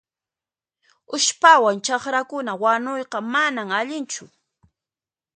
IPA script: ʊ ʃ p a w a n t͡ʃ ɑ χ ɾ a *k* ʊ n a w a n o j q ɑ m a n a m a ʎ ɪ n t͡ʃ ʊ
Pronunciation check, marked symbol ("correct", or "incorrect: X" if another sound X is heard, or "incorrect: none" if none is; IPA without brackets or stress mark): correct